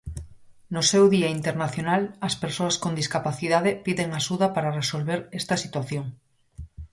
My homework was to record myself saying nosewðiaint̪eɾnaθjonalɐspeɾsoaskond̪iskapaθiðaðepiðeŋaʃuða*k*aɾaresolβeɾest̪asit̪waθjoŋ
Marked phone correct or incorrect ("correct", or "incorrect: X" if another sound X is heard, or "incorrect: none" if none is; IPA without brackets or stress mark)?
incorrect: p